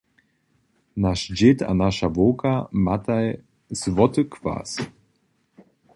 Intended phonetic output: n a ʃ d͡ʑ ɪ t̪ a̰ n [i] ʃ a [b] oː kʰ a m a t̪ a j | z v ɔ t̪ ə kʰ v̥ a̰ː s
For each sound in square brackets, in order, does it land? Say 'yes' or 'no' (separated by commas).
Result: no, no